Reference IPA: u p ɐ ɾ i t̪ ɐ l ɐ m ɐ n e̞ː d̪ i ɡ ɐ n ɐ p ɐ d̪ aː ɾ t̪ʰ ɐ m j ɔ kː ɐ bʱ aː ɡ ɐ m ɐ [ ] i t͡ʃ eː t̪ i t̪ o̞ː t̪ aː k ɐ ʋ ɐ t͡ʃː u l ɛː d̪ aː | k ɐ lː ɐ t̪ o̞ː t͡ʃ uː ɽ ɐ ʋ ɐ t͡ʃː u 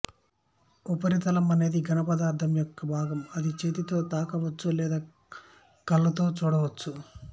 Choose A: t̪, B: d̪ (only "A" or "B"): B